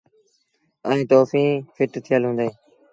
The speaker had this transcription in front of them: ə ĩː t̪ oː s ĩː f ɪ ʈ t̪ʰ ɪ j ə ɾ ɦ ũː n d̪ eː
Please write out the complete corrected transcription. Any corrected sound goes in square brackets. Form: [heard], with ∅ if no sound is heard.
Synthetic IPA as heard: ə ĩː t̪ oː [f] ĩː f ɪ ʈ t̪ʰ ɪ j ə [l] ɦ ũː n d̪ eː